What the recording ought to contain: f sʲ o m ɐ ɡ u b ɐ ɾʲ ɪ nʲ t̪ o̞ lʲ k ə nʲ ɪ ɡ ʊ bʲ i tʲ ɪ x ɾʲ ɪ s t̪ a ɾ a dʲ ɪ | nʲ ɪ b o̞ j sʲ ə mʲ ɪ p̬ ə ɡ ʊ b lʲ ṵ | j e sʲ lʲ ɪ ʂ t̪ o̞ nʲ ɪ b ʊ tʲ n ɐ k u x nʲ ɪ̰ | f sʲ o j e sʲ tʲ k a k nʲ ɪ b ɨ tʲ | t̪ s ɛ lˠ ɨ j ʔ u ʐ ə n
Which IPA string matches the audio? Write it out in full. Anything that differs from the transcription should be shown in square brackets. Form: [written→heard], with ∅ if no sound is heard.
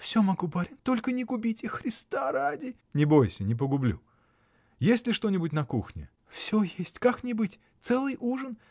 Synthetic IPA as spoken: f sʲ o m ɐ ɡ u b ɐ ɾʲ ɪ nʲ t̪ o̞ lʲ k ə nʲ ɪ ɡ ʊ bʲ i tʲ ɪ x ɾʲ ɪ s t̪ a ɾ a dʲ ɪ | nʲ ɪ b o̞ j sʲ ə [mʲ→nʲ] ɪ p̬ ə ɡ ʊ b lʲ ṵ | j e sʲ lʲ ɪ ʂ t̪ o̞ nʲ ɪ b ʊ tʲ n ɐ k u x nʲ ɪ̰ | f sʲ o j e sʲ tʲ k a k nʲ ɪ b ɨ tʲ | t̪ s ɛ lˠ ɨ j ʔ u ʐ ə n